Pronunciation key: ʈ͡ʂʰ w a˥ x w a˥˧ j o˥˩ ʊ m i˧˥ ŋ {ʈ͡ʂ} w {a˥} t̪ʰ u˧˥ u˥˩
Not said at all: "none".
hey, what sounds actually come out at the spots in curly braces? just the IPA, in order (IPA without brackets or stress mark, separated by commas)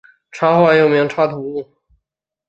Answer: ʈ͡ʂʰ, a˥